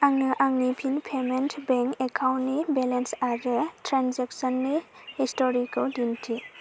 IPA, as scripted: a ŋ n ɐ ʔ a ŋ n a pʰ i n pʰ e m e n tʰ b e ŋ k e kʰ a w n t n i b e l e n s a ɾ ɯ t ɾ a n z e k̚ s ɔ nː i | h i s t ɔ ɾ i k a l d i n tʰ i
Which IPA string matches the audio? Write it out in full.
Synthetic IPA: a ŋ n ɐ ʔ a ŋ n i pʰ i n pʰ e m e n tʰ b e ŋ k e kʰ a w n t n i b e l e n s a ɾ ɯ t ɾ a n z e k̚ s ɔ nː i | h i s t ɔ ɾ i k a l d i n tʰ i